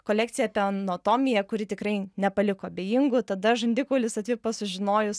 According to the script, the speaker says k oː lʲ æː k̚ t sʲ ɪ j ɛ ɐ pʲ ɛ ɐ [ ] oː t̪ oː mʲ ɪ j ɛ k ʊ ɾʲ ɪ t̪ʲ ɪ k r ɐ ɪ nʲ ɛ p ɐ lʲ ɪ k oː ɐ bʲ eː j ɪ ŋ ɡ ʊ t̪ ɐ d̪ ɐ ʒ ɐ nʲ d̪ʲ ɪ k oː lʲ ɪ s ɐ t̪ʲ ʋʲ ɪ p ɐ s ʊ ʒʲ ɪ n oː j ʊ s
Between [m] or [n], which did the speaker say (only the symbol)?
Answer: n